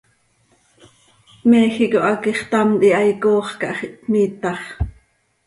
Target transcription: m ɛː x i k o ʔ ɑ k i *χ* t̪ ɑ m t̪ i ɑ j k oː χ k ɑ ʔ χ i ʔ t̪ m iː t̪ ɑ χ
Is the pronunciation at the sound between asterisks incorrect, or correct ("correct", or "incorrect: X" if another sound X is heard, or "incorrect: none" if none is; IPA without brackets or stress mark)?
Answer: correct